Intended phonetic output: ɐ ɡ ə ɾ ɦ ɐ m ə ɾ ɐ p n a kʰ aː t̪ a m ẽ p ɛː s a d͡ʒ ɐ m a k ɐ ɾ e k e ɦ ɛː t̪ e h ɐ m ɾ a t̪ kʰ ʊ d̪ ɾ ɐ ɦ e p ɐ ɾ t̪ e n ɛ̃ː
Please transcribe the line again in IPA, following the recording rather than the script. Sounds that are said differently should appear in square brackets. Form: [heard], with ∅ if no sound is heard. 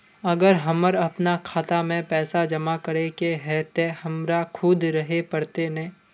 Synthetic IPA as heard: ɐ ɡ ə ɾ ɦ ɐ m ə ɾ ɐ p n a kʰ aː t̪ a m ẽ p ɛː s a d͡ʒ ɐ m a k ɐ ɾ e k e ɦ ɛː t̪ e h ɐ m ɾ a [∅] kʰ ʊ d̪ ɾ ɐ ɦ e p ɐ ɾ t̪ e n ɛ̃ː